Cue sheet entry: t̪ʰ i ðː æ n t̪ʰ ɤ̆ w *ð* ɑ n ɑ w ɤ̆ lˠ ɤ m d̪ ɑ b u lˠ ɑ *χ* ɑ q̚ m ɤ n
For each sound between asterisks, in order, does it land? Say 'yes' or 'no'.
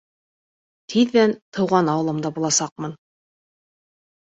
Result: no, no

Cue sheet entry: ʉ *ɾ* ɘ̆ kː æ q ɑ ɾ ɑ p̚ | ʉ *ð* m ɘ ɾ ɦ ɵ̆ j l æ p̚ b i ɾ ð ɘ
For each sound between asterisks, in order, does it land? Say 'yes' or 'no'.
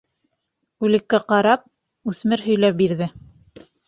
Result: no, no

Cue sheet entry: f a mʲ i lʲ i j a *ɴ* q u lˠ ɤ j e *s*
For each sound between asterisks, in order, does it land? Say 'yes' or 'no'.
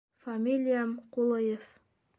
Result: no, no

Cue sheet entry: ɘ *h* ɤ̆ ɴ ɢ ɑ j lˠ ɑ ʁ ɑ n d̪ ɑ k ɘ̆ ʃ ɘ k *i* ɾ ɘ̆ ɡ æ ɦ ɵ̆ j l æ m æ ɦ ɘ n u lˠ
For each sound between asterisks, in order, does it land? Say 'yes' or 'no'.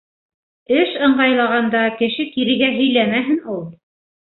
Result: no, yes

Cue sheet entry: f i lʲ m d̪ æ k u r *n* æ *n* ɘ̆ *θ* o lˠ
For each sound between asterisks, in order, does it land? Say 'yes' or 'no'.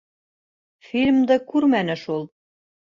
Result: no, yes, no

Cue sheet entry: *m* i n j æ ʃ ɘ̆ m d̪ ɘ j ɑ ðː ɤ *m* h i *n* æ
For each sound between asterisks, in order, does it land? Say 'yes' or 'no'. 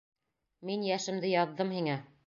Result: yes, yes, no

